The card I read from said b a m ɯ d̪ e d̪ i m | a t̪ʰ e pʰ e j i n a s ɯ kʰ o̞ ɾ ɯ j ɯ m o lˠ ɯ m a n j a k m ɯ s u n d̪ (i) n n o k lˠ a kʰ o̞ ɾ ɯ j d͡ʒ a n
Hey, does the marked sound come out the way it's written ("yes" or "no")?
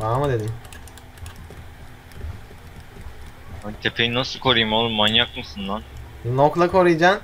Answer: no